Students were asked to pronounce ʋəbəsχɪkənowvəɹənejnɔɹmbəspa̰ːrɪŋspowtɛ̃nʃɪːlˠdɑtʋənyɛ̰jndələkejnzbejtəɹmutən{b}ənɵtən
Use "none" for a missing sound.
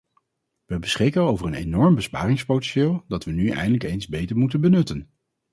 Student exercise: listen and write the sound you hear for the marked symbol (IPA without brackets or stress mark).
b